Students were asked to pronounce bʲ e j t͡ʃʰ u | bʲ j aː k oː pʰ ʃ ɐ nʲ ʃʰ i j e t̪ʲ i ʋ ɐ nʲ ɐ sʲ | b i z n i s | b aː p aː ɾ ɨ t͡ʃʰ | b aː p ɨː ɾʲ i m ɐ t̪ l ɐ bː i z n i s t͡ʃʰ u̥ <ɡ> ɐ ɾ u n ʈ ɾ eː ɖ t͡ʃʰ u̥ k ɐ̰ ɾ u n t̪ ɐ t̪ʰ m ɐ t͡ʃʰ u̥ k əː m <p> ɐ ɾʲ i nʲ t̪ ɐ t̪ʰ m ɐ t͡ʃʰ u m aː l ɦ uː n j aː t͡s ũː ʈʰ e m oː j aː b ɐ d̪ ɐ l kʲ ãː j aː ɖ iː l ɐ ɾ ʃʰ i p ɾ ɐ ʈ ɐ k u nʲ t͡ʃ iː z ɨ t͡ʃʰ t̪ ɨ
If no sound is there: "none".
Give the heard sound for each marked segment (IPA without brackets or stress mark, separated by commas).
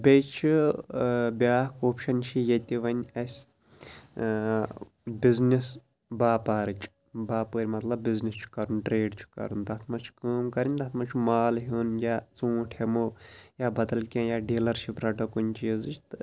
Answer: k, k